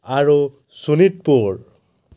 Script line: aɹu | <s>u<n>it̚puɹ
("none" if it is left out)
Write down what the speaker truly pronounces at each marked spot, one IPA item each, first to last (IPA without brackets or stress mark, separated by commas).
s, n